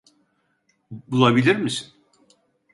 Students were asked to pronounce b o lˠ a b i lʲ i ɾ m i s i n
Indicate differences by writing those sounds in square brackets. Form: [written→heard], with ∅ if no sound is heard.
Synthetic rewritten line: b [o→u] lˠ a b i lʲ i ɾ m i s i n